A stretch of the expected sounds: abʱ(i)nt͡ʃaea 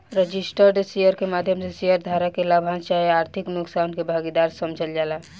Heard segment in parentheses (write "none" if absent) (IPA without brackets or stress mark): a